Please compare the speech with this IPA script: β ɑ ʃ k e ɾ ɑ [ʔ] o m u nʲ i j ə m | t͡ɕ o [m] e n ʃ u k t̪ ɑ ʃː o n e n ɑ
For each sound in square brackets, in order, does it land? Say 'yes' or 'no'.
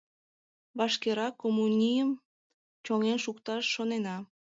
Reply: no, no

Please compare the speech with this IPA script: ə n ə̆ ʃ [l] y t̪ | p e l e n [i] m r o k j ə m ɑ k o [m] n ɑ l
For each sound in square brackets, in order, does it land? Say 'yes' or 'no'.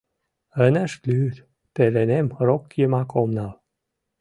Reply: yes, no, yes

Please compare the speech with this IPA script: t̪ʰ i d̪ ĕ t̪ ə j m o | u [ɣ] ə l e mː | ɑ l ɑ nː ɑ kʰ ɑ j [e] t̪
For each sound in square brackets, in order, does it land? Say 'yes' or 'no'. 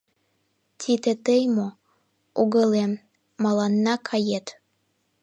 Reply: yes, yes

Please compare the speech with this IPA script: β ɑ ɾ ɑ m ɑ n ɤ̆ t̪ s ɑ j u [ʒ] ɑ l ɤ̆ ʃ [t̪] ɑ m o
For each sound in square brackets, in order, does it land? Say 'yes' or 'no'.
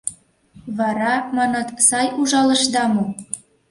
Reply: yes, no

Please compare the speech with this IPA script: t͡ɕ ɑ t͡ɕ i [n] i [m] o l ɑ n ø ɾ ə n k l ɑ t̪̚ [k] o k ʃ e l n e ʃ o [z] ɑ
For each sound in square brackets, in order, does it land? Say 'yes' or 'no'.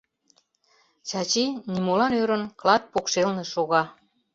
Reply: yes, yes, no, no

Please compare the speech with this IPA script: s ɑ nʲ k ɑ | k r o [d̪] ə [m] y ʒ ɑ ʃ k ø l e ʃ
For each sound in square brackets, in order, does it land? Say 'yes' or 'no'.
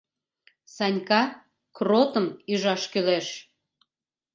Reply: no, yes

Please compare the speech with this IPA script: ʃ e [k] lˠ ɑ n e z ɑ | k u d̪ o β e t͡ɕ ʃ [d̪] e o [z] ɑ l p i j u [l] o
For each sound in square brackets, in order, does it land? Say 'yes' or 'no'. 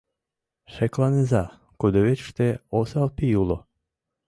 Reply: yes, no, no, yes

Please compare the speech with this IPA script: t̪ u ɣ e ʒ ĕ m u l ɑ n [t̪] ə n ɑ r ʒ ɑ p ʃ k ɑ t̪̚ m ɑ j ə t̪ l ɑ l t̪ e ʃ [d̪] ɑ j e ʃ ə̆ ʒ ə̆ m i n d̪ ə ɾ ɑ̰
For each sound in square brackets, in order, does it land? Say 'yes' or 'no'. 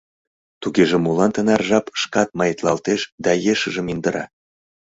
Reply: yes, yes

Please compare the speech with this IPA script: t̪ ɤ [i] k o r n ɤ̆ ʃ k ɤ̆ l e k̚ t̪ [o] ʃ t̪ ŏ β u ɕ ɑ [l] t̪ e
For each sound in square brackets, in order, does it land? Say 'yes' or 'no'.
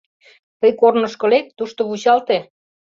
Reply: no, no, yes

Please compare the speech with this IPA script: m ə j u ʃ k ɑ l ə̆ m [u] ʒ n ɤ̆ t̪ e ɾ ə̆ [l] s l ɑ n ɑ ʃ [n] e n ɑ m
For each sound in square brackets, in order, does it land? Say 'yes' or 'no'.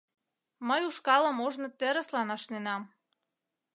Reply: no, no, yes

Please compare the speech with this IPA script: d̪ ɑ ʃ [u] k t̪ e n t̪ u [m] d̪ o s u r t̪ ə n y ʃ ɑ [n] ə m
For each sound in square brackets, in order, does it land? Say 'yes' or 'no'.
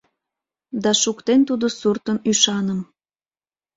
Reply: yes, no, yes

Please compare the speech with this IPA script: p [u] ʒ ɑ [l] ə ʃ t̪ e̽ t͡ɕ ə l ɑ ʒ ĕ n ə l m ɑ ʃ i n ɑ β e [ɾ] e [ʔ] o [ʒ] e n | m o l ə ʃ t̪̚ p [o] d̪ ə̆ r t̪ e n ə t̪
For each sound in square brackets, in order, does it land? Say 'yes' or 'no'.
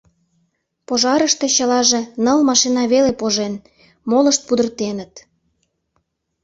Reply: no, no, no, no, yes, no

